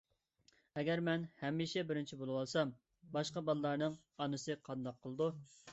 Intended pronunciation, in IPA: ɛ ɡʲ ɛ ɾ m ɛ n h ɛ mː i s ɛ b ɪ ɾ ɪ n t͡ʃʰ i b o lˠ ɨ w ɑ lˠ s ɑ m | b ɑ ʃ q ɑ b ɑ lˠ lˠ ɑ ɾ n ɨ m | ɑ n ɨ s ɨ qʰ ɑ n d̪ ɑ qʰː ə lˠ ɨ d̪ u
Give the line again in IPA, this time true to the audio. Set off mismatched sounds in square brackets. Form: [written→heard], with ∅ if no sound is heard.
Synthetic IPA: ɛ ɡʲ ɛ ɾ m ɛ n h ɛ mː i [s→ʃ] ɛ b ɪ ɾ ɪ n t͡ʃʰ i b o lˠ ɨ w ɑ lˠ s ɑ m | b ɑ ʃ q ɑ b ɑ lˠ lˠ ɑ ɾ n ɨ [m→ŋ] | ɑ n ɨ s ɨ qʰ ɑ n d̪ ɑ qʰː ə lˠ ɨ d̪ u